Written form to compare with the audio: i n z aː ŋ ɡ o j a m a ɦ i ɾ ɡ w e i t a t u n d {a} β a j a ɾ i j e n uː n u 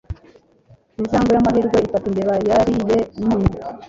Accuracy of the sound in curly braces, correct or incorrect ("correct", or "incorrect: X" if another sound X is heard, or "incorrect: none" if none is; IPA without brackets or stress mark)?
incorrect: e